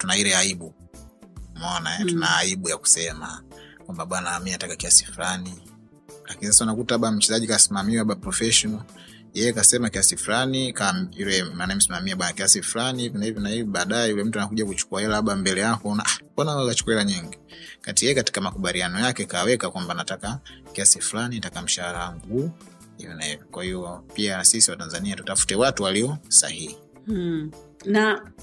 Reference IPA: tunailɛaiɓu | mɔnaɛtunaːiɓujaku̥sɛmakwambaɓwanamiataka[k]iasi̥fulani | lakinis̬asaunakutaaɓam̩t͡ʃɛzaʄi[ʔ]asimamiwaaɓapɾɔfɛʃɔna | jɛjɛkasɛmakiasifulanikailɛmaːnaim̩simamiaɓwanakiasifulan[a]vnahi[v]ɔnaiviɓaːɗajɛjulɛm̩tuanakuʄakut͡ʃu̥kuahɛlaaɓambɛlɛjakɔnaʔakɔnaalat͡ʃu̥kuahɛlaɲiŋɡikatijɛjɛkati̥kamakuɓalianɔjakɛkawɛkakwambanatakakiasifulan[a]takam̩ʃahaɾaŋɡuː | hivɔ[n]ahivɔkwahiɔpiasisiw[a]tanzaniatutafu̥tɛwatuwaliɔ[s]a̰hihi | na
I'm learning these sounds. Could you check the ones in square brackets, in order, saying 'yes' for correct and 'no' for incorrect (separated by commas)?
yes, no, no, yes, no, yes, yes, yes